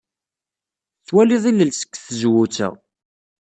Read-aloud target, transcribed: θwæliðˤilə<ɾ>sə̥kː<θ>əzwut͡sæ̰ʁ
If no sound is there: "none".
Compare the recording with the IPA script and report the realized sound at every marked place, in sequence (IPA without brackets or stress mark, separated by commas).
l, θ